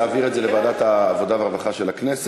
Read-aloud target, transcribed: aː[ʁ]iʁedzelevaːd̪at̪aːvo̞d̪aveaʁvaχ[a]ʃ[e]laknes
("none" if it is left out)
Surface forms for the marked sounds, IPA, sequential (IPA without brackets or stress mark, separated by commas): v, a, e